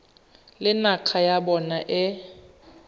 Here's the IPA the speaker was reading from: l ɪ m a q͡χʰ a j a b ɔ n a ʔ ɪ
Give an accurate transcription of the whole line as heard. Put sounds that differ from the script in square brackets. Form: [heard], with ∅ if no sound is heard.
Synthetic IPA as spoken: l ɪ [n] a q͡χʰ a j a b ɔ n a ʔ ɪ